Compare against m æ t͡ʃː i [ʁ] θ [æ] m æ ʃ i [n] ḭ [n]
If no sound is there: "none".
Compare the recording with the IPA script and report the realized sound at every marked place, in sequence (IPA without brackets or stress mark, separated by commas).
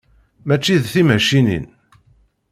ð, i, n, n